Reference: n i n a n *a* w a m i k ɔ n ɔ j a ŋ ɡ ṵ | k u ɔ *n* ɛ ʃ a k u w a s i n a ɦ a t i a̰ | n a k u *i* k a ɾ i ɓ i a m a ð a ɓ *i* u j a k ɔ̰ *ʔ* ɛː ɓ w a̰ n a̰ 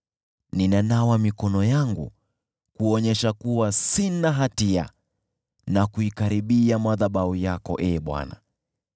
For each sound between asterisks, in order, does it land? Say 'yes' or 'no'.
yes, no, yes, no, yes

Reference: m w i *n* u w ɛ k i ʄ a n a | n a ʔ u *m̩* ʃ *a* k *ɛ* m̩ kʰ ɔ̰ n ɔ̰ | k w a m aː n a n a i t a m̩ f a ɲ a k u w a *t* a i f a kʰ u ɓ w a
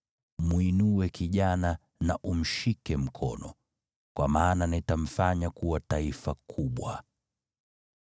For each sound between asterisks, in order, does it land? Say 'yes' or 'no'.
yes, yes, no, yes, yes

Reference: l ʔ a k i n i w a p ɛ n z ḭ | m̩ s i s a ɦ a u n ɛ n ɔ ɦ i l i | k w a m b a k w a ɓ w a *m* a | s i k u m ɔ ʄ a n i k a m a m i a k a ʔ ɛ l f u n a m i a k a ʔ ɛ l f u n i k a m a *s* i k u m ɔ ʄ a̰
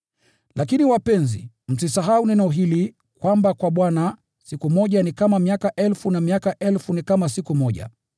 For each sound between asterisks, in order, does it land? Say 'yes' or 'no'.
no, yes

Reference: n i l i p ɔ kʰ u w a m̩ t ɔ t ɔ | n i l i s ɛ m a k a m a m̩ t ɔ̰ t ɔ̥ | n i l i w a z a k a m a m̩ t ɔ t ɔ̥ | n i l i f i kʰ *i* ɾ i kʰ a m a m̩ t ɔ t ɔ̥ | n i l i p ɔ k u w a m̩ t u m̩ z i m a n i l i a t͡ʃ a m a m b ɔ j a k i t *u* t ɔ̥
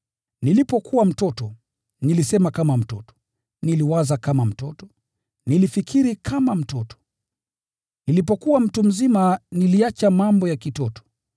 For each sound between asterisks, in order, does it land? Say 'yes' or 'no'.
yes, no

